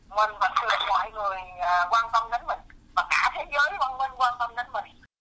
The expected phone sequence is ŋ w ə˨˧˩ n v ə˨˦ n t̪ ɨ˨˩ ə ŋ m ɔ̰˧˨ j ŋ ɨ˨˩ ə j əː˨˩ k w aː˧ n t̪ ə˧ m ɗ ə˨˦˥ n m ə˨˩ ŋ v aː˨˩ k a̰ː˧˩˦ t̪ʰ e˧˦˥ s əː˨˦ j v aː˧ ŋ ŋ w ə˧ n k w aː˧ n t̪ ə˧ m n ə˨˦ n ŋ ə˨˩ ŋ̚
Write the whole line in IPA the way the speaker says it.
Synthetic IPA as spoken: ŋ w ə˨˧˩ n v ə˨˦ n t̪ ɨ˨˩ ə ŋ m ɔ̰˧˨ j ŋ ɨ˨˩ ə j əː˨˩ k w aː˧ n t̪ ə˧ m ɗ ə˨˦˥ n m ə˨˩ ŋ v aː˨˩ k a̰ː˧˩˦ t̪ʰ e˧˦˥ z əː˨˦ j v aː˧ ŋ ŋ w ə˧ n k w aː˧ n t̪ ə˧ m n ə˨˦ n m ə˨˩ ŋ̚